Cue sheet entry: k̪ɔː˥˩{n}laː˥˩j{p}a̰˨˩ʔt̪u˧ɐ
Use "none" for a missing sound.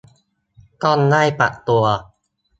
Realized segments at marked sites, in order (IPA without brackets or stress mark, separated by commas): n, p